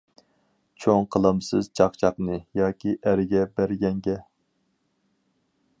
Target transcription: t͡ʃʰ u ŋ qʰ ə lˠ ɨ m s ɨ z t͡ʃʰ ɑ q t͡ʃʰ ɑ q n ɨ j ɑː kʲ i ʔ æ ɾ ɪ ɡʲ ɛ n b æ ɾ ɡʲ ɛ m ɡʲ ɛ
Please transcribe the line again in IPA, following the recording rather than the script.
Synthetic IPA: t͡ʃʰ o ŋ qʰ ə lˠ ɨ m s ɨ z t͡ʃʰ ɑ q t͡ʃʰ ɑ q n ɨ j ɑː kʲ i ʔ æ ɾ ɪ ɡʲ ɛ b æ ɾ ɡʲ ɛ ŋ ɡʲ ɛ